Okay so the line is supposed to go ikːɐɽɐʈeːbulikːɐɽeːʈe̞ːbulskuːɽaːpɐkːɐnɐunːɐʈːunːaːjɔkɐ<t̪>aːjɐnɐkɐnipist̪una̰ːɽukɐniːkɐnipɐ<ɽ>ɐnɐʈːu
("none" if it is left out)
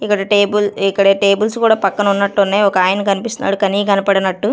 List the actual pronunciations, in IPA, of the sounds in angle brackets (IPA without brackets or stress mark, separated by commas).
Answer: none, ɽ